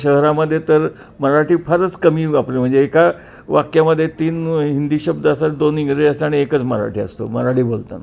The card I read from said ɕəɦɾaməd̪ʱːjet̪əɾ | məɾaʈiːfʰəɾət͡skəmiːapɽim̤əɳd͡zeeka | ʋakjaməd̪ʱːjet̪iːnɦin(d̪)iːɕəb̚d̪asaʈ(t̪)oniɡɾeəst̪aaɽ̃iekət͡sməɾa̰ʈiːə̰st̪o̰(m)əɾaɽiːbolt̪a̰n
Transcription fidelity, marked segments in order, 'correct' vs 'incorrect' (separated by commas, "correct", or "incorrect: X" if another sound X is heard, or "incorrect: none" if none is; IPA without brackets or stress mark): correct, incorrect: d̪, correct